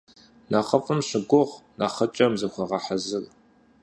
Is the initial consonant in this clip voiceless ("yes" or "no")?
no